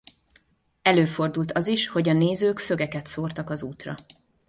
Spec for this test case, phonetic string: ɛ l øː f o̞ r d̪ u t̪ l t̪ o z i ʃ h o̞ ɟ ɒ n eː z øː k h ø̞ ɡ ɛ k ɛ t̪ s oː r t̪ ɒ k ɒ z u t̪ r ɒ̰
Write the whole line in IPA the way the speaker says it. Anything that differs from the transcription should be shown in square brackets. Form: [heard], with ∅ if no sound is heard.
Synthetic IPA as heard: ɛ l øː f o̞ r d̪ u [∅] l t̪ [ɒ] z i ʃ h o̞ ɟ ɒ n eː z øː k [s] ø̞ ɡ ɛ k ɛ t̪ s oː r t̪ ɒ k ɒ z [uː] t̪ r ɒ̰